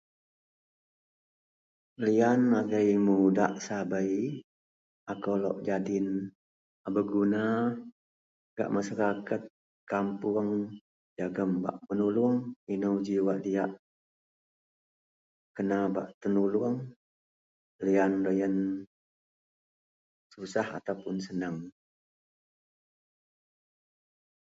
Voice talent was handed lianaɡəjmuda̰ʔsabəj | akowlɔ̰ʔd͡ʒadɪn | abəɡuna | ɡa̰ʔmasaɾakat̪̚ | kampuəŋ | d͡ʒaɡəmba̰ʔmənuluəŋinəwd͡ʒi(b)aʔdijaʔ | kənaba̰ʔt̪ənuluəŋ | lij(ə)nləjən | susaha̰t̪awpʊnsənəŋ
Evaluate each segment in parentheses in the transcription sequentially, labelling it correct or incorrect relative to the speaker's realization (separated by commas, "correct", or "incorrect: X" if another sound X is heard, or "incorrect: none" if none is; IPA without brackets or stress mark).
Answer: incorrect: w, incorrect: a